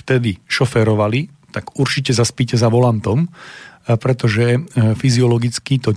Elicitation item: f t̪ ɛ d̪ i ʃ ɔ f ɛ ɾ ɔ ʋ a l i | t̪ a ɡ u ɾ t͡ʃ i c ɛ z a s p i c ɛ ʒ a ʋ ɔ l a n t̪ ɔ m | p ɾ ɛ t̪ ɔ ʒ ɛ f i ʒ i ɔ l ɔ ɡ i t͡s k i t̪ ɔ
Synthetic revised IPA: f t̪ ɛ d̪ i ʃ ɔ f ɛ ɾ ɔ ʋ a l i | t̪ a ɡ u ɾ t͡ʃ i c ɛ z a s p i c ɛ z a ʋ ɔ l a n t̪ ɔ m | p ɾ ɛ t̪ ɔ ʒ ɛ f i z i ɔ l ɔ ɡ i t͡s k i t̪ ɔ